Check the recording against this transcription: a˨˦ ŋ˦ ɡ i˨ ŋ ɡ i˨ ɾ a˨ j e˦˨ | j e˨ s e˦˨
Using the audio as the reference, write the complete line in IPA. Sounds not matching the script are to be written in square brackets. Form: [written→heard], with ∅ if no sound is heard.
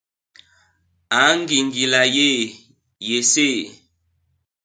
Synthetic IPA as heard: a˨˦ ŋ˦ ɡ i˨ ŋ ɡ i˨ [ɾ→l] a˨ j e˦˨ | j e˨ s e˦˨